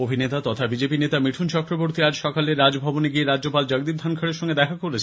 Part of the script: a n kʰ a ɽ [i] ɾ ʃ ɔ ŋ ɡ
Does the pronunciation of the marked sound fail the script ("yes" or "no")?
yes